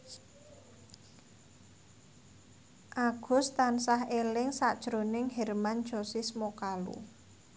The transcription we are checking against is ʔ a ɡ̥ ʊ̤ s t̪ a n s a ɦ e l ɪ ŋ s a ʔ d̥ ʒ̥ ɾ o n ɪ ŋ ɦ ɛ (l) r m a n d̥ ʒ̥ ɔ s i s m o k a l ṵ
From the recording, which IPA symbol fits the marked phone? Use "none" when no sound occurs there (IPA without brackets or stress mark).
none